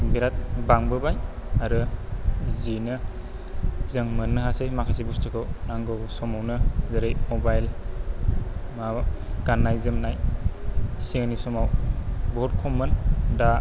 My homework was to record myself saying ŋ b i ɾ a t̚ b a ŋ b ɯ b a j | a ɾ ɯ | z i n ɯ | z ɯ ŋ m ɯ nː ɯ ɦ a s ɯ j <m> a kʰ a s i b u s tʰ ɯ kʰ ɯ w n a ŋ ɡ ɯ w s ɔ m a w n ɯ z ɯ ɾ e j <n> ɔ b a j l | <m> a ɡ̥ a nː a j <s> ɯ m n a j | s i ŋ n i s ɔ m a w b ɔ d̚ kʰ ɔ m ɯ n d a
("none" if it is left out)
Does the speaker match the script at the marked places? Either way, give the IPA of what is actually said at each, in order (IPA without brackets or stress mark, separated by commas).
m, m, m, z